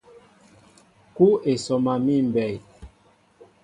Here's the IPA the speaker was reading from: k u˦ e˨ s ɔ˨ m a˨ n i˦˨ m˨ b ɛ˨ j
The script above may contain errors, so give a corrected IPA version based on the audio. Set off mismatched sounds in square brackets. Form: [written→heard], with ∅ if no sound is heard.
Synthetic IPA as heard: k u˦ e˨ s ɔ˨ m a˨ [n→m] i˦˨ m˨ b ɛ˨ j